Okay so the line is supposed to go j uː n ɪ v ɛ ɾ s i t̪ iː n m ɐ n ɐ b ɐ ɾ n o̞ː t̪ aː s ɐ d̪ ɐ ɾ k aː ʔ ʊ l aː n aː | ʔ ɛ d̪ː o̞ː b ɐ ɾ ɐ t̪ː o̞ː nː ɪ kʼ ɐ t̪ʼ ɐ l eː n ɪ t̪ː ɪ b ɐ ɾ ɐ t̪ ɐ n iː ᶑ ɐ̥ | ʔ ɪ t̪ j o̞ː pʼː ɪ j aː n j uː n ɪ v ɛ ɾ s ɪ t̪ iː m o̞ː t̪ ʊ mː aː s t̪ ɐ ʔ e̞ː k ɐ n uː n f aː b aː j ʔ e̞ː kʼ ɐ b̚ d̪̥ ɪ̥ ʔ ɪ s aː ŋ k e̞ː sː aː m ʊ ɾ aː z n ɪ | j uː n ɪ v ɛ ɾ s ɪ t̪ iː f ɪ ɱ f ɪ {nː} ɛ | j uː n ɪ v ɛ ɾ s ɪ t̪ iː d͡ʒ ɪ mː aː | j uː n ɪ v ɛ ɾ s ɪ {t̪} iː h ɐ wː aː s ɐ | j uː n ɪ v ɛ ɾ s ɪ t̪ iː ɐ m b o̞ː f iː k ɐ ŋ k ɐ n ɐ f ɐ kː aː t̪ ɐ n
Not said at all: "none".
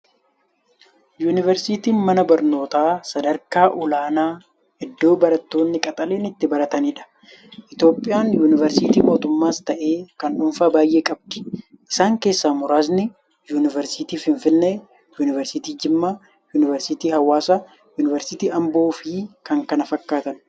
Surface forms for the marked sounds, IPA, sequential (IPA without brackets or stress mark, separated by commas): nː, t̪